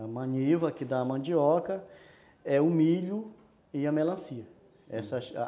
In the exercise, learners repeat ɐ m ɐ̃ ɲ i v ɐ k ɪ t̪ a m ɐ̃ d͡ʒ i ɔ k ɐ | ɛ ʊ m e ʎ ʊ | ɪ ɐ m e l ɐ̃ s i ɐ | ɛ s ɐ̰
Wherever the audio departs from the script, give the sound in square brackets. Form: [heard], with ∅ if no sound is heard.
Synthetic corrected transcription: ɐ m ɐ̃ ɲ i v ɐ k ɪ [d̪] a m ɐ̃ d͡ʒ i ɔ k ɐ | ɛ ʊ m [i] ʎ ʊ | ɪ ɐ m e l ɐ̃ s i ɐ | ɛ s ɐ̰